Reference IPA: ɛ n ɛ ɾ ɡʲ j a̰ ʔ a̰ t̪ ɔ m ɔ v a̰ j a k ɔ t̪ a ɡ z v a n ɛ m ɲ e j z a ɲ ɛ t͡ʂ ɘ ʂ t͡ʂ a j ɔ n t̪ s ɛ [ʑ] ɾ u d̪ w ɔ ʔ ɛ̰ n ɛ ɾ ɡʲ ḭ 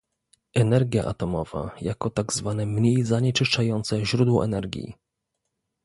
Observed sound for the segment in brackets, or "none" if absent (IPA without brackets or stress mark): ʑ